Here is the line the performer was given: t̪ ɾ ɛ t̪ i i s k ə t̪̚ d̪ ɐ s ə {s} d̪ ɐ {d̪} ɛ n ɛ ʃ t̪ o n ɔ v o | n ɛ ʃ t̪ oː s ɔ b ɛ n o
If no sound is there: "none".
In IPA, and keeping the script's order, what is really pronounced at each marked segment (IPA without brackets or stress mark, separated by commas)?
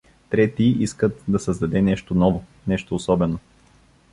z, d̪